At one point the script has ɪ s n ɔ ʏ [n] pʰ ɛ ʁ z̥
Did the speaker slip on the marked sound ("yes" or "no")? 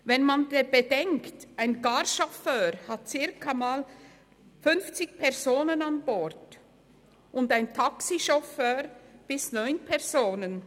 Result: no